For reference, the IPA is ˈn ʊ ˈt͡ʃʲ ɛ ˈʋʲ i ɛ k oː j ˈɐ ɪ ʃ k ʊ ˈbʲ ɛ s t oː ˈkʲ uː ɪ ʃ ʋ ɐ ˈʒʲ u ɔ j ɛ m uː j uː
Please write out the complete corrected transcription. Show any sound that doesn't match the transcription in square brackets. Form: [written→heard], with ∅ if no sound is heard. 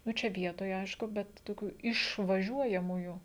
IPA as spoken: ˈn ʊ ˈt͡ʃʲ ɛ ˈʋʲ i ɛ [k→t] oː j ˈɐ ɪ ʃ k ʊ ˈbʲ ɛ [s→t] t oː ˈkʲ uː ɪ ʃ ʋ ɐ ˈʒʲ u ɔ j ɛ m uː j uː